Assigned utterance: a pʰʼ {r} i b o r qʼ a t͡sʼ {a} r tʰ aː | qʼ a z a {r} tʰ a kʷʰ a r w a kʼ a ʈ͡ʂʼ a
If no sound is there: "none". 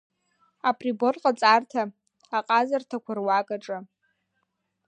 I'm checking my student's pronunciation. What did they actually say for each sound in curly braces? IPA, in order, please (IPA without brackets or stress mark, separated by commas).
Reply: r, a, r